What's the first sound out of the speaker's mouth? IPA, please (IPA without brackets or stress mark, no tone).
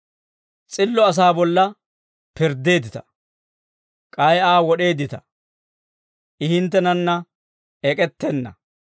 t͡sʼ